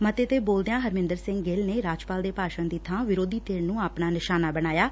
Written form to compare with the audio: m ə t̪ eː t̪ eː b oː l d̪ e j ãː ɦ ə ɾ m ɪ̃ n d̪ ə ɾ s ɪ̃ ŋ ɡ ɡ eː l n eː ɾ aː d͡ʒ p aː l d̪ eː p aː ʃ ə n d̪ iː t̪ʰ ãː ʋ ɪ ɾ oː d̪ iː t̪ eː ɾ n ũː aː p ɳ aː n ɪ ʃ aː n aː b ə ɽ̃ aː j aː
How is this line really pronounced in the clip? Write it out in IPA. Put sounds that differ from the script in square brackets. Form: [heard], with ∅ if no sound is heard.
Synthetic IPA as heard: m ə t̪ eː t̪ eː b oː l d̪ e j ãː ɦ ə ɾ m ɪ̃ n d̪ ə ɾ s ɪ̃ ŋ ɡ ɡ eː l n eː ɾ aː d͡ʒ p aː l d̪ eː p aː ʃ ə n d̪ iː t̪ʰ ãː ʋ ɪ ɾ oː d̪ iː t̪ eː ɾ n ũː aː p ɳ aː n ɪ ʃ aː n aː b ə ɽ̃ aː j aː